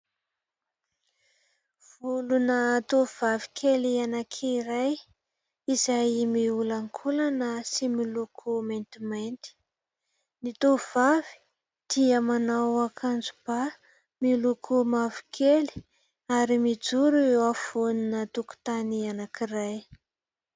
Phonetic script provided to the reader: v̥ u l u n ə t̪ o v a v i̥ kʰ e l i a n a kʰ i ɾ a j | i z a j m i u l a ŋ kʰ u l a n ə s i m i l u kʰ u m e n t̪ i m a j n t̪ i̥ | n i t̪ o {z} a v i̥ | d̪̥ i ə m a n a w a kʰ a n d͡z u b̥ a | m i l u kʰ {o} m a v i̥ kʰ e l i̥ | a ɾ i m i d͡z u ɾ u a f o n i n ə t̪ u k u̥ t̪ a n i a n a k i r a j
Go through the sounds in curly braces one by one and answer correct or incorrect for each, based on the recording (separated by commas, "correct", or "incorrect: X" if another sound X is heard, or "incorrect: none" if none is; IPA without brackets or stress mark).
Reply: incorrect: v, incorrect: u